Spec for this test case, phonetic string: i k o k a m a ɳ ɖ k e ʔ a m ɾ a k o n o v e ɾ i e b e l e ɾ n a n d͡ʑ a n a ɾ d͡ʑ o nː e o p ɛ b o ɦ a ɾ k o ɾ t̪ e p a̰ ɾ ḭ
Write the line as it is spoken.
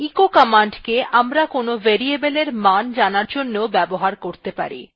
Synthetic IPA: i k o k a m a ɳ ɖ k e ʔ a m ɾ a k o n o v e ɾ i e b e l e ɾ m a n d͡ʑ a n a ɾ d͡ʑ o nː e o b ɛ b o ɦ a ɾ k o ɾ t̪ e p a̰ ɾ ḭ